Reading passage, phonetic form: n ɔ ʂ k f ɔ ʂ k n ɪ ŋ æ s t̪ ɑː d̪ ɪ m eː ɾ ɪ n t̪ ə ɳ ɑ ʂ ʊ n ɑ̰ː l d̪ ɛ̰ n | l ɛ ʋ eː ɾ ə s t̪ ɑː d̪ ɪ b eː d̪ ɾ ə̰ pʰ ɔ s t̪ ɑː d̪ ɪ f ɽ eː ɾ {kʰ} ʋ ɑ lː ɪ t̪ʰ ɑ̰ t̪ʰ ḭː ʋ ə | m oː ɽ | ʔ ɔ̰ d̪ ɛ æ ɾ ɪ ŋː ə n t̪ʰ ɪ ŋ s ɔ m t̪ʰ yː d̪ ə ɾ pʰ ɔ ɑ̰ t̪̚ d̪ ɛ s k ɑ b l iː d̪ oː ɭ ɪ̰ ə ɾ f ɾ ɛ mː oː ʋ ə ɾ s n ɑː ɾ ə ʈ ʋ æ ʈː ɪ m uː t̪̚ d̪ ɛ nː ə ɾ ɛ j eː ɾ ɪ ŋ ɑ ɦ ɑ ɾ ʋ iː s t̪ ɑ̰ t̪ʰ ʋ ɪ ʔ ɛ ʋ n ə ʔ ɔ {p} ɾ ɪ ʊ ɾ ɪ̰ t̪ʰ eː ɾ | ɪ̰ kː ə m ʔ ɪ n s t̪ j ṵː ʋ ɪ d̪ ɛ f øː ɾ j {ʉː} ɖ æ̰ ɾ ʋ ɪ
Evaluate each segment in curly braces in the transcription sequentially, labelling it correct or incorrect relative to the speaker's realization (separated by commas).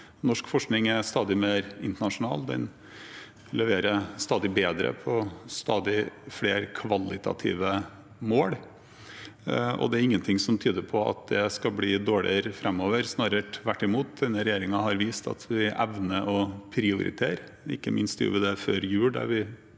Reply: correct, incorrect, correct